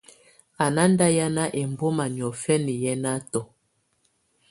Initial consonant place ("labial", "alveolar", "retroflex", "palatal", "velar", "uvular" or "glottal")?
alveolar